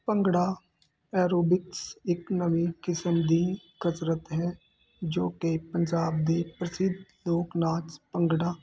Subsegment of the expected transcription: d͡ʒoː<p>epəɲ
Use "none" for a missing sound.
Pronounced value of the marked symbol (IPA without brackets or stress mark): k